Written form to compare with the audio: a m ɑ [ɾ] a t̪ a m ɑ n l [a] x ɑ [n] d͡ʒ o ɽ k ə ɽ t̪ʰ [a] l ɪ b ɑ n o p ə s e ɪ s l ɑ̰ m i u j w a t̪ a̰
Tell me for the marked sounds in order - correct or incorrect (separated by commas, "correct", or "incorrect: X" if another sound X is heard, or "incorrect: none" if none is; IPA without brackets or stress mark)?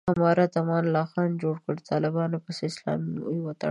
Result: correct, incorrect: ɑ, correct, incorrect: ɑ